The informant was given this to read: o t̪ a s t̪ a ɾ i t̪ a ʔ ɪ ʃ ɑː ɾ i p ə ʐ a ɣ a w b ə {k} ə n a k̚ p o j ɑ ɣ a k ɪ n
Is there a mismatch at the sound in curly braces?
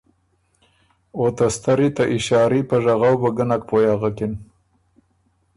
yes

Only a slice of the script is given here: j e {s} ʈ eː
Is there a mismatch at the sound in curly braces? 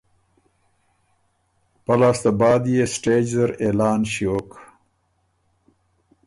no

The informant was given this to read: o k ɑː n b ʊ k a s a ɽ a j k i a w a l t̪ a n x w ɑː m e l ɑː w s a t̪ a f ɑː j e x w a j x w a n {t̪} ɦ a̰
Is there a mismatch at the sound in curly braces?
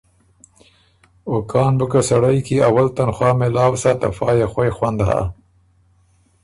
yes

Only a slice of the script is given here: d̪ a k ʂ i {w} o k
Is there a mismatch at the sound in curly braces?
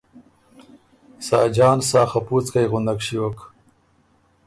no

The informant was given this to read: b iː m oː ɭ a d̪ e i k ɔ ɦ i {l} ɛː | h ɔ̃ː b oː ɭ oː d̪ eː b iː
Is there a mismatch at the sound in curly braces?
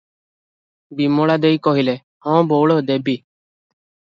no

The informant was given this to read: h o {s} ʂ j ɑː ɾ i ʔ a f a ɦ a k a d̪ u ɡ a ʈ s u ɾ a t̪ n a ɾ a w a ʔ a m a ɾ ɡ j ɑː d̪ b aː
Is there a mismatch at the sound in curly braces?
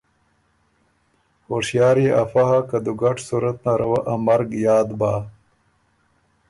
yes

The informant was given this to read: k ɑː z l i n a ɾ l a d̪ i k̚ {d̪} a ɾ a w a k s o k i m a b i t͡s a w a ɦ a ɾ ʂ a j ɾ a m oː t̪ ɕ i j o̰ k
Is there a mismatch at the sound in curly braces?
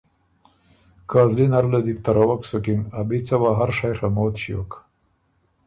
yes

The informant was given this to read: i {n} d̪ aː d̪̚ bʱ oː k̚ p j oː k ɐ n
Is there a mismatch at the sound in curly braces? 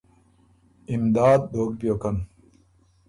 yes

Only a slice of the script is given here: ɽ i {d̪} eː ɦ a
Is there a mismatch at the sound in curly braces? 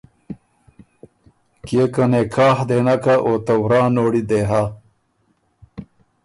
no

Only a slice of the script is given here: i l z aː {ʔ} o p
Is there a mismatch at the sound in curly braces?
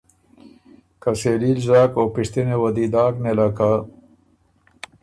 yes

